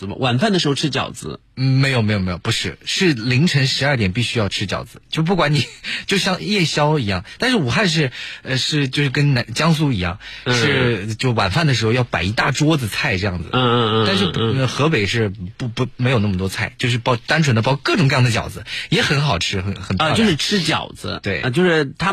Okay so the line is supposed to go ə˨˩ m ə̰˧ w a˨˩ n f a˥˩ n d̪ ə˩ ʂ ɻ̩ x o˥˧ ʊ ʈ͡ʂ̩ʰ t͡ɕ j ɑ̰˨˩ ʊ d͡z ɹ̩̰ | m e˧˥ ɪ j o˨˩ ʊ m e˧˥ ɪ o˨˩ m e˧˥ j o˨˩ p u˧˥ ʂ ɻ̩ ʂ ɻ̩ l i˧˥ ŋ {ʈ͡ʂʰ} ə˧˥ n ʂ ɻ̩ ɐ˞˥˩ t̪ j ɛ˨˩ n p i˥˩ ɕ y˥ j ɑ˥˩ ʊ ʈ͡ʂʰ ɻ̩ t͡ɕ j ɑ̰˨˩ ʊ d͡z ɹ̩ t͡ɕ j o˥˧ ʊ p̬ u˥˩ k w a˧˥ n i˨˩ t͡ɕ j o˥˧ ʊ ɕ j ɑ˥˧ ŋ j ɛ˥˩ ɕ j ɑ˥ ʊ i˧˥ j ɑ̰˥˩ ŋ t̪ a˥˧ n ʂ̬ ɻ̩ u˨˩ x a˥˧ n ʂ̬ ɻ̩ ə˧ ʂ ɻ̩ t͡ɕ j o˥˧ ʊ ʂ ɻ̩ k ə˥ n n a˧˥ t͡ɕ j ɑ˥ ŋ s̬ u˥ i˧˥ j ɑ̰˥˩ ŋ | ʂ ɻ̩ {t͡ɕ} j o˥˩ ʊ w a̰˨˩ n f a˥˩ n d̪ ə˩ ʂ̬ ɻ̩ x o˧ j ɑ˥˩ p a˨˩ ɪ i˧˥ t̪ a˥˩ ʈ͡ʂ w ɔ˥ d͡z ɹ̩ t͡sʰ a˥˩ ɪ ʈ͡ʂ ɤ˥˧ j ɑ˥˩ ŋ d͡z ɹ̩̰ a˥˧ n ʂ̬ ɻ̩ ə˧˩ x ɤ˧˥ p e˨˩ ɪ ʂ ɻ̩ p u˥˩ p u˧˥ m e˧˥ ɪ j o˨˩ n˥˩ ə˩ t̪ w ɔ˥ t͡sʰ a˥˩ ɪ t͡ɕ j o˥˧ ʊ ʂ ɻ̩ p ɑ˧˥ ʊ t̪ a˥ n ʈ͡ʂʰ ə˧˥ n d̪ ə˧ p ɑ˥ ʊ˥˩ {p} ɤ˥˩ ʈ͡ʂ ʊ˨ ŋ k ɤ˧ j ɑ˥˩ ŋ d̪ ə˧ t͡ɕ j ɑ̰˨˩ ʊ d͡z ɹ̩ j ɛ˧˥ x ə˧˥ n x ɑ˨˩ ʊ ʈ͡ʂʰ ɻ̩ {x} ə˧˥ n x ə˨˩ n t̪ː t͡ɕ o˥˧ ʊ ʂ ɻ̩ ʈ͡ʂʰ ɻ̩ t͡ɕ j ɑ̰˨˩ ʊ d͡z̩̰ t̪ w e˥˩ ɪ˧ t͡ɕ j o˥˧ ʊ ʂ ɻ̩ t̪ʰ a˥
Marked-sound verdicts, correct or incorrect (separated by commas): correct, correct, incorrect, correct